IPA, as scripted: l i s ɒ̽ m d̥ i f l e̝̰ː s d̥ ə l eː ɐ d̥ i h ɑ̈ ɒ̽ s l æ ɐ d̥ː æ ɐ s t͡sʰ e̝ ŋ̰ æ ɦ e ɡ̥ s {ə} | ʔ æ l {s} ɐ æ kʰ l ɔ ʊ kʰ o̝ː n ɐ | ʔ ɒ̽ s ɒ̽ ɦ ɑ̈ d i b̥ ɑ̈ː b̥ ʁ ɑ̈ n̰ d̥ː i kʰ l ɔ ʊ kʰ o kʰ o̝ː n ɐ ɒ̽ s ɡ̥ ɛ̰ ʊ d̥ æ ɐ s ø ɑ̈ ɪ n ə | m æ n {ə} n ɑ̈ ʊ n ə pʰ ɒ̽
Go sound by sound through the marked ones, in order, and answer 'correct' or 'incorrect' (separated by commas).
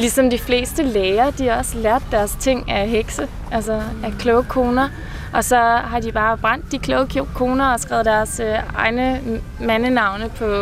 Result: correct, correct, correct